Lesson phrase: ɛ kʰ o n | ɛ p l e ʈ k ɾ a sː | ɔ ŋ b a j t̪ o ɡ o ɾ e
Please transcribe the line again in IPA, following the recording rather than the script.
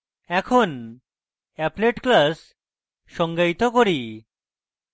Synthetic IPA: ɛ kʰ o n | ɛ p l e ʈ k l a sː | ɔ ŋ ɡ a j t̪ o k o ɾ i